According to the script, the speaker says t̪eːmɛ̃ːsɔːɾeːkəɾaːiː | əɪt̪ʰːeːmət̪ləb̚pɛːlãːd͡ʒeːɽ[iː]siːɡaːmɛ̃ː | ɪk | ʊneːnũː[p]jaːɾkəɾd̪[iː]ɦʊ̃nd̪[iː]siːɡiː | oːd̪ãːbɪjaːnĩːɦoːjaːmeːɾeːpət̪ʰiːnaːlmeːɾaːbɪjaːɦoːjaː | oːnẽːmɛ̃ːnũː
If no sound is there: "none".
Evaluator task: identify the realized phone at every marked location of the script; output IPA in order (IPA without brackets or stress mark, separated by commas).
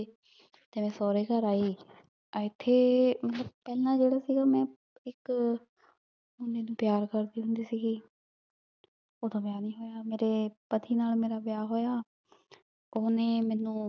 aː, p, iː, iː